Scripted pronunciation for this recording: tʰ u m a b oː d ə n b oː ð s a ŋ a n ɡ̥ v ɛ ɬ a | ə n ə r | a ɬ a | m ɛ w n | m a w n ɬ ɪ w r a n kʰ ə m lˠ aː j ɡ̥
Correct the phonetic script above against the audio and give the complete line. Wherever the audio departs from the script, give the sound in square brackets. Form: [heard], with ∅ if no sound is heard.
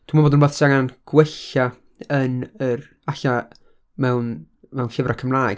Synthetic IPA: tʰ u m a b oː d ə n b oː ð s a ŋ a n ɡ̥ [w] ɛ ɬ a | ə n ə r | a ɬ a | m ɛ w n | m [ɛ] w n ɬ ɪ [v] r a [∅] kʰ ə m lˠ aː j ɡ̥